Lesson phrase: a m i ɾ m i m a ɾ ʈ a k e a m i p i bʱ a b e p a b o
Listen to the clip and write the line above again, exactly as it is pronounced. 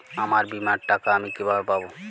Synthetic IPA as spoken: a m a ɾ b i m a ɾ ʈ a k a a m i k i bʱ a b e p a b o